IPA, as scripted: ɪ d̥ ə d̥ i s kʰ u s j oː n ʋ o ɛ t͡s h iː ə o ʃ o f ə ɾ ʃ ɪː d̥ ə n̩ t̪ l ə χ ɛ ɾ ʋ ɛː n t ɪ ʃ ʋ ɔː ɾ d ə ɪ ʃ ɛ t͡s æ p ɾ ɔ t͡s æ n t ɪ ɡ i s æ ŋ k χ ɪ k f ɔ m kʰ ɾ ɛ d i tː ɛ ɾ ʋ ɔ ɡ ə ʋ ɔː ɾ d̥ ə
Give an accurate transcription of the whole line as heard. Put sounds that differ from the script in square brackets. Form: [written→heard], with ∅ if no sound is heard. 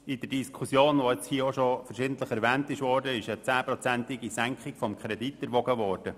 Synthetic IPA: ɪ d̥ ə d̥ i s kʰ u s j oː n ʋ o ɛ t͡s h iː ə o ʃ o f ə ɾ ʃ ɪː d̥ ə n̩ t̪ l ə χ ɛ ɾ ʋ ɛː n t ɪ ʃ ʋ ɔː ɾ d ə ɪ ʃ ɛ t͡s [æ→æː] p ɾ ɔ t͡s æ n t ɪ ɡ i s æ ŋ k χ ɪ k f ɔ m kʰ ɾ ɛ d i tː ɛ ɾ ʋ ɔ ɡ ə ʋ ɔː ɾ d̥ ə